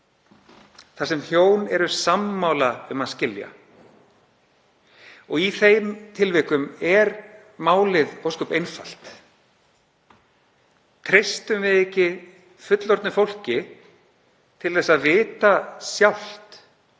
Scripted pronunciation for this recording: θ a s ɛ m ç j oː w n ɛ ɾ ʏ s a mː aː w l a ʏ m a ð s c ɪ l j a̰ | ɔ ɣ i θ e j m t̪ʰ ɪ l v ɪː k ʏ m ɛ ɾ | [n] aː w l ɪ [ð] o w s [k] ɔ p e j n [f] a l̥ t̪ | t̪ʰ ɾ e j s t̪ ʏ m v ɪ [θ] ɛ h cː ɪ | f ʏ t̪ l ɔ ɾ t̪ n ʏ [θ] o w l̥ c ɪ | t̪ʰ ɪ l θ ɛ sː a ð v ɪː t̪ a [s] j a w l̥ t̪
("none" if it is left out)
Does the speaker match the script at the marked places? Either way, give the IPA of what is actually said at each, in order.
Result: m, ð, k, f, ð, f, s

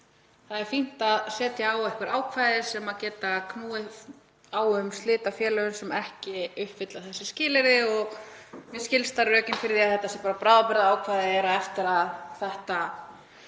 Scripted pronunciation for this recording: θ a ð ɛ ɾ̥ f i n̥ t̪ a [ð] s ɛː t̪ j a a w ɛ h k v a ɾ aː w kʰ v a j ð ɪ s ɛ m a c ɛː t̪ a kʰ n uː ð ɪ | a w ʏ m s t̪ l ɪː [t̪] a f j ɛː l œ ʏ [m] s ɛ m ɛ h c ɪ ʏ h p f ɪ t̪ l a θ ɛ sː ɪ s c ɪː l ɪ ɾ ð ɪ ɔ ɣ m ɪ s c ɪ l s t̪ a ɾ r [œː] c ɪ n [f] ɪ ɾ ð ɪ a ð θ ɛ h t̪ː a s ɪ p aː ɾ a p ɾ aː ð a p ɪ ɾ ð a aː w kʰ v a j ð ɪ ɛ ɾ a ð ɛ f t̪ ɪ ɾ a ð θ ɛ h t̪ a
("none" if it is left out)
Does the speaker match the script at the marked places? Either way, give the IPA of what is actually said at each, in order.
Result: ð, t̪, n, œː, f

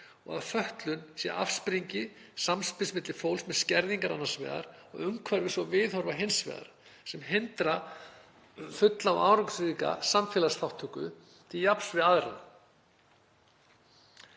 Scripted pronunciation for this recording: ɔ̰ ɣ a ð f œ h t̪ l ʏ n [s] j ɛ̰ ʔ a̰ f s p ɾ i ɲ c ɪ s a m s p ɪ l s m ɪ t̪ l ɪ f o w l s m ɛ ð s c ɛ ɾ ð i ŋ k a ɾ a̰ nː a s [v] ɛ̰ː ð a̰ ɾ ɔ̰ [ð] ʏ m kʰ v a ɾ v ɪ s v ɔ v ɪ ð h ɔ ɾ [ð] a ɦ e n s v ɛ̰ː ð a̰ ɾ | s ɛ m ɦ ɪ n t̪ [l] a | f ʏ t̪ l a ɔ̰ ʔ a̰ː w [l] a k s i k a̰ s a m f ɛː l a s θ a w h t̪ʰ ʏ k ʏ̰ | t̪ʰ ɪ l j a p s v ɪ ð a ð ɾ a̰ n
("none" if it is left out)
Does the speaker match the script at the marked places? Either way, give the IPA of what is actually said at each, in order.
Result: s, v, ɣ, v, ɾ, ɾ

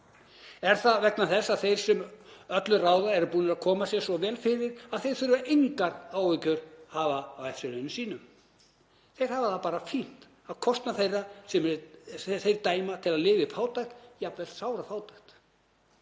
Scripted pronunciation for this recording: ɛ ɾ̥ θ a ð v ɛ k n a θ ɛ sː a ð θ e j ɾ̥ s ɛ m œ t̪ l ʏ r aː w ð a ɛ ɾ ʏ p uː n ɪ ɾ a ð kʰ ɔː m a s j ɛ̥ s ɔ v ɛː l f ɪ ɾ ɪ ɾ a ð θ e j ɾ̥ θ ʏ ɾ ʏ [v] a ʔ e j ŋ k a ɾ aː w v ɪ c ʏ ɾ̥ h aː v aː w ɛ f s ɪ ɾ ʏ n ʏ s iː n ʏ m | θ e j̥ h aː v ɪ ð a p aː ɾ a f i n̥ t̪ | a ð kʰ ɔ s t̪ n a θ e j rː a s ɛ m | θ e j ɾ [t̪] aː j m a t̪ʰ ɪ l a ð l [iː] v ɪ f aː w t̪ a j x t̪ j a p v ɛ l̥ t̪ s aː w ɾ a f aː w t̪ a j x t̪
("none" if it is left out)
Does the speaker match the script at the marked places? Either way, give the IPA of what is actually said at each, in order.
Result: v, t̪, ɪː

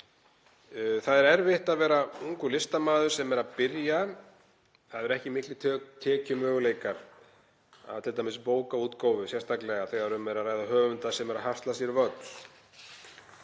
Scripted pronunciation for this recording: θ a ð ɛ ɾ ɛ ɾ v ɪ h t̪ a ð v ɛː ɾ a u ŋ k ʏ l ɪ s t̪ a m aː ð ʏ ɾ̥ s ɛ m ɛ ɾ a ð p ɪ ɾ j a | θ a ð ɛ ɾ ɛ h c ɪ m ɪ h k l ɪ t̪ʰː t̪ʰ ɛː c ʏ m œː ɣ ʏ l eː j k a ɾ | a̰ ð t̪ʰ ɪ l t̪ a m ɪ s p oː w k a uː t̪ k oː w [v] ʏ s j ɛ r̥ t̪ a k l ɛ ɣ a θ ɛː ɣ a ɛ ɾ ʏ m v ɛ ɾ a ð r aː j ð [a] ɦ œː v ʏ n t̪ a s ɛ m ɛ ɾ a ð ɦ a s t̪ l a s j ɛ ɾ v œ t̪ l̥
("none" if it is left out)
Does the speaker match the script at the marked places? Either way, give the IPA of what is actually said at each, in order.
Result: v, a

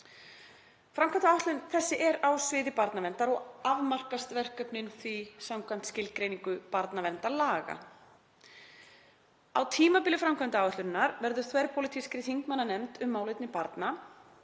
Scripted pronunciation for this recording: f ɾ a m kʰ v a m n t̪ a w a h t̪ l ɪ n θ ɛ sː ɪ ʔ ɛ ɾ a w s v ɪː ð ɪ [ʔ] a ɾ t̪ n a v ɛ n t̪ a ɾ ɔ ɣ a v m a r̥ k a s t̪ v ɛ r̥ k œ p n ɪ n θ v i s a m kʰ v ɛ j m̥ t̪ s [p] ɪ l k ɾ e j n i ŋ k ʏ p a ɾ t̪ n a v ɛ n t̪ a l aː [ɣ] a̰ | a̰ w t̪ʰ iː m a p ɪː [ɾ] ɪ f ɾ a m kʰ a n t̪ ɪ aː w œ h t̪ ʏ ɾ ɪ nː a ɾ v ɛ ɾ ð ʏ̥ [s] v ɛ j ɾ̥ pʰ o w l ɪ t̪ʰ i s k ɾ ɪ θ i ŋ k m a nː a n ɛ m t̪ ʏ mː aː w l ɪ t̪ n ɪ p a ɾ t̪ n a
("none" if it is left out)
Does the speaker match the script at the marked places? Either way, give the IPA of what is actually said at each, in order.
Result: p, c, ɣ, l, θ

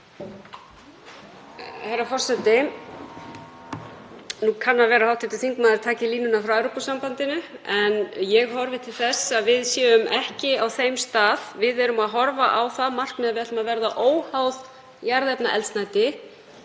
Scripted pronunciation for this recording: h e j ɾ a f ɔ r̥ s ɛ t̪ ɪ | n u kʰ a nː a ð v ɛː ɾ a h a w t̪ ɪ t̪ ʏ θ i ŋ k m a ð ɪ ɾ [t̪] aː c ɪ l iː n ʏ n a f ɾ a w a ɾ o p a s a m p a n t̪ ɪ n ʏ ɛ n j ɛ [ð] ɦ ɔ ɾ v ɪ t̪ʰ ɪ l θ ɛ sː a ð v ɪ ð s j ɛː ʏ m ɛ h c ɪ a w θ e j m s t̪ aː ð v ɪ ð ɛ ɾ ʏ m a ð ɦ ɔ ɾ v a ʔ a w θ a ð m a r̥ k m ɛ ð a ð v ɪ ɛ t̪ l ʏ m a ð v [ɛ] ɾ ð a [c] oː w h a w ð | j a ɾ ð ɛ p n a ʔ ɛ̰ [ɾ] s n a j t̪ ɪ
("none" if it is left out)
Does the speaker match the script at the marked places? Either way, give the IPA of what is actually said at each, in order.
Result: t̪ʰ, ɣ, ɛ, ʔ, l

